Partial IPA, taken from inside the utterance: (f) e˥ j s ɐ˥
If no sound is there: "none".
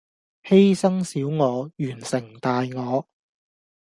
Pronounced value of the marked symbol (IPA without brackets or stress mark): h